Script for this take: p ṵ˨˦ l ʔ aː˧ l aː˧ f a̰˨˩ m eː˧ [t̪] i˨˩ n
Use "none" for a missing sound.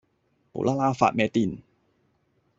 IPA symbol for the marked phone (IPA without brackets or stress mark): t̪